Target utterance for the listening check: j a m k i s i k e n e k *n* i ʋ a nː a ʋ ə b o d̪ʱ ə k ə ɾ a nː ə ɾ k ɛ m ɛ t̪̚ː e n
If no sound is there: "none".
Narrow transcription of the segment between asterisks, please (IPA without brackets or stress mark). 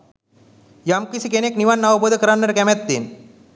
n